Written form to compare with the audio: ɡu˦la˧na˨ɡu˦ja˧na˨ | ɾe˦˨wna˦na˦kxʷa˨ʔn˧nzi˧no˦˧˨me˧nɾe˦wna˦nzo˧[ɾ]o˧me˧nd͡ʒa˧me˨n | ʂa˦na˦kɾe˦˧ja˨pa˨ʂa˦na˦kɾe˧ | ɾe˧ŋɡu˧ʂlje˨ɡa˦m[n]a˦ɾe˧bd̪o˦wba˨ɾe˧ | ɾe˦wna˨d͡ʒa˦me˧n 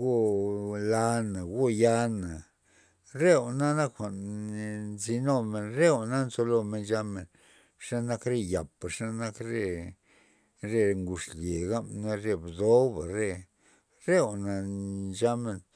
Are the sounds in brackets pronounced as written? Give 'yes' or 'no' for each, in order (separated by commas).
no, yes